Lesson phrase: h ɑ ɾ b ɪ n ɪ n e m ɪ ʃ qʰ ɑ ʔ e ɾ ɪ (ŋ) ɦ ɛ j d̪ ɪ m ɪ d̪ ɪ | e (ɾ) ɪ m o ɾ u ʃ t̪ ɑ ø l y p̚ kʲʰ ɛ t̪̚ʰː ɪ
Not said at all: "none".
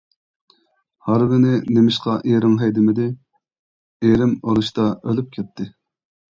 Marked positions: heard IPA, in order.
ŋ, ɾ

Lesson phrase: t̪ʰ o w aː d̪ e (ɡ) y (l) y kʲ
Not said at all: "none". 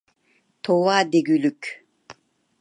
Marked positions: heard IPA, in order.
ɡ, l

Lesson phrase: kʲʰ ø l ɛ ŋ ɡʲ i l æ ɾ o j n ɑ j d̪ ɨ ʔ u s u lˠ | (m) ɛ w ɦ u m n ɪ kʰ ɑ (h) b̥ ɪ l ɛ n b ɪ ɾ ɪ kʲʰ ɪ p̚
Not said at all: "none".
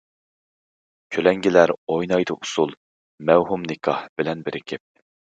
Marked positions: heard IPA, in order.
m, h

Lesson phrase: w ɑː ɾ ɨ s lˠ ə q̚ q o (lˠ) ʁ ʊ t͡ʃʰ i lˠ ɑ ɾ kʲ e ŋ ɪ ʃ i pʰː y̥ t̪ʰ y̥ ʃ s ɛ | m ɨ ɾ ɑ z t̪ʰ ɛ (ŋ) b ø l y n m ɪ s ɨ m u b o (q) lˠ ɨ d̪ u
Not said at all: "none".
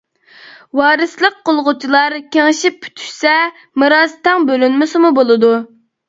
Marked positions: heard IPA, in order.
lˠ, ŋ, none

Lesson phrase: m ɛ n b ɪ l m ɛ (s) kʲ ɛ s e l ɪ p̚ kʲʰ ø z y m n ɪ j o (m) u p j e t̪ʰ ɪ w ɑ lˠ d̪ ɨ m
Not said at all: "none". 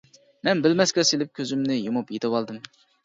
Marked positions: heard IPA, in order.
s, m

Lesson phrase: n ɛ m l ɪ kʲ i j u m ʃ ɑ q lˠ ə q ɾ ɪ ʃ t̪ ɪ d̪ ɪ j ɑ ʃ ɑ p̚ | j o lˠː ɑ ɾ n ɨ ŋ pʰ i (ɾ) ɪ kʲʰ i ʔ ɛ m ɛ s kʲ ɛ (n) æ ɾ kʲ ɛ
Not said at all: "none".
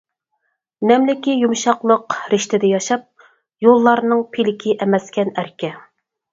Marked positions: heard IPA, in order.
l, n

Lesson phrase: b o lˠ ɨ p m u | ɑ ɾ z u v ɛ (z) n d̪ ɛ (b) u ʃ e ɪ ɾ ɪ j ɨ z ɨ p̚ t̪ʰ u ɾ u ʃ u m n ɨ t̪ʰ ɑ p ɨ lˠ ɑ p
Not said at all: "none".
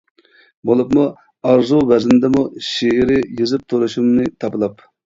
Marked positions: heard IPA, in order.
z, m

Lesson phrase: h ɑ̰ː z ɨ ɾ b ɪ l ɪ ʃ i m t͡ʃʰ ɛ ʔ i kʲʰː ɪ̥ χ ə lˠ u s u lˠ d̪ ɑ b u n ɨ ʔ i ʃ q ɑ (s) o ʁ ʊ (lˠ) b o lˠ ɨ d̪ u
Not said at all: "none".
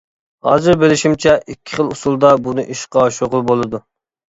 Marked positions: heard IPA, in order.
ʃ, lˠ

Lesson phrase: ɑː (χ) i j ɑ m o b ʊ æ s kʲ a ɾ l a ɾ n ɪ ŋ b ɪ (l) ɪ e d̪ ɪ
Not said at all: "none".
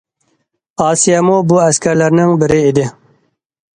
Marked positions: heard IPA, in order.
s, ɾ

